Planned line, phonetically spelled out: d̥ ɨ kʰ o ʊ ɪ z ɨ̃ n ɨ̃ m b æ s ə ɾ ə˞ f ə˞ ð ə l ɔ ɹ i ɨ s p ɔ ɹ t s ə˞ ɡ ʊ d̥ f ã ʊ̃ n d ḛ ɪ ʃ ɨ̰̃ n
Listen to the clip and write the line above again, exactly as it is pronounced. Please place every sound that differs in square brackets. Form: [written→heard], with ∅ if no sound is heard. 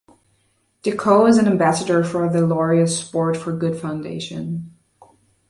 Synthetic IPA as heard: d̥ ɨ kʰ o ʊ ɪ z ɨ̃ n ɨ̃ m b æ s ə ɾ ə˞ f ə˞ ð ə l ɔ ɹ i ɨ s p ɔ ɹ t [s→f] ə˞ ɡ ʊ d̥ f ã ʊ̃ n d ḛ ɪ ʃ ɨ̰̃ n